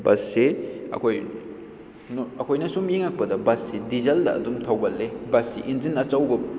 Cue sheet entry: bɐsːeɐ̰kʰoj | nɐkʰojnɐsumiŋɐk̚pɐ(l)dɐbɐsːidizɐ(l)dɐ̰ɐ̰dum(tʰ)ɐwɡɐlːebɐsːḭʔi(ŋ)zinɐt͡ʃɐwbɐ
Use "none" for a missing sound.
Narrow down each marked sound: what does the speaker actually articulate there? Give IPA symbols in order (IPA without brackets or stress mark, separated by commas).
none, l, tʰ, n